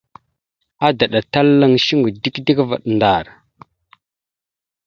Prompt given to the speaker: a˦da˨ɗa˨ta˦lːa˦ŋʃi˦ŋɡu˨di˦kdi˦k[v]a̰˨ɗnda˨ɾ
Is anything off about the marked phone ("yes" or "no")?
no